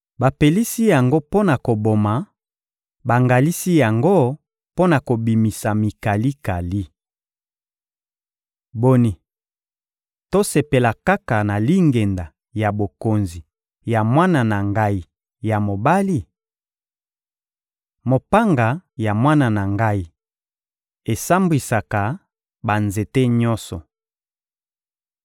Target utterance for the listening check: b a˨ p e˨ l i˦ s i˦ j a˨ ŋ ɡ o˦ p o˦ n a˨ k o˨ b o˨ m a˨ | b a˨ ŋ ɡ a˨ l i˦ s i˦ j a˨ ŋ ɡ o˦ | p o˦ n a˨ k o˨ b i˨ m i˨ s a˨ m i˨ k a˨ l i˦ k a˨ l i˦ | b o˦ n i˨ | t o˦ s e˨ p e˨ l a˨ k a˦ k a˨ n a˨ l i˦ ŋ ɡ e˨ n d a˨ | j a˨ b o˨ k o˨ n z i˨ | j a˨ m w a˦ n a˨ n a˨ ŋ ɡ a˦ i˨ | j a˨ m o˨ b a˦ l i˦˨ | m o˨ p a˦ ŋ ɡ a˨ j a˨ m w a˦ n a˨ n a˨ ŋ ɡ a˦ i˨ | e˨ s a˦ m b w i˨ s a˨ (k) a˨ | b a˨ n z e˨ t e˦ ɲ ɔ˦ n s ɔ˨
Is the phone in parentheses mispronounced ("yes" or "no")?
no